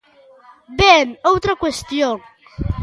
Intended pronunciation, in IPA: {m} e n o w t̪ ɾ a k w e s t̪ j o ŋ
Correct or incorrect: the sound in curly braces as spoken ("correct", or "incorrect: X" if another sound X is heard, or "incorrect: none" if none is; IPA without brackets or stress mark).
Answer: incorrect: b